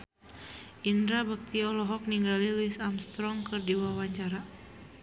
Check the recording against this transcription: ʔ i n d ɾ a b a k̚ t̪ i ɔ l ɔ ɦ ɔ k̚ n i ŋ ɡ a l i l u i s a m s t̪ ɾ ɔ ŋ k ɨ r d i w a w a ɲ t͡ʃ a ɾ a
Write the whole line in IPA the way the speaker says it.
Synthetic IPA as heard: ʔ i n d ɾ a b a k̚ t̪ i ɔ l ɔ ɦ ɔ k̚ n i ŋ ɡ a l i l u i s a m s t̪ ɾ ɔ ŋ k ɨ r d i w a w a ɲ t͡ʃ a ɾ a